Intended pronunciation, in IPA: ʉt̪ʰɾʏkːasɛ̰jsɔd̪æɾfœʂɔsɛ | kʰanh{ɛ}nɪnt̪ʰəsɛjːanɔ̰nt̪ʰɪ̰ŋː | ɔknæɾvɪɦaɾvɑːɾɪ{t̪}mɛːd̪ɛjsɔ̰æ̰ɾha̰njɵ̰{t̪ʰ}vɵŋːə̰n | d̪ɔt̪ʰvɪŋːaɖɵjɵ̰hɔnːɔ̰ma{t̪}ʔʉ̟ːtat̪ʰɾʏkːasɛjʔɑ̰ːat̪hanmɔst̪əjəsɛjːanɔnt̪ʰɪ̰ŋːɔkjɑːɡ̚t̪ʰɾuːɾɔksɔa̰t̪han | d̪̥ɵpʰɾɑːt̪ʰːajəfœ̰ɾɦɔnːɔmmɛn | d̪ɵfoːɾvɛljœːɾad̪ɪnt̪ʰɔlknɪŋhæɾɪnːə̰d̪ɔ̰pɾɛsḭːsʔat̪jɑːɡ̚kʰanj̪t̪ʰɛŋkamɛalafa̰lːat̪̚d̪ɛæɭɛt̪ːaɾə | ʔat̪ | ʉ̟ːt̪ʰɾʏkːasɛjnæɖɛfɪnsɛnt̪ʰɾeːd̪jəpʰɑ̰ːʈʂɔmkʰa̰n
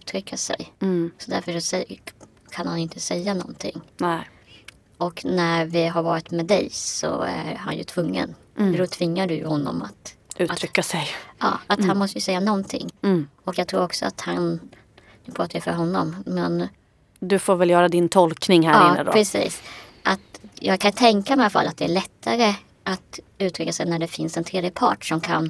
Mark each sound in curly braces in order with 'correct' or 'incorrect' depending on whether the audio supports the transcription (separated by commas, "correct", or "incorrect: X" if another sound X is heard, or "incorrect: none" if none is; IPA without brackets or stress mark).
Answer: incorrect: a, correct, correct, correct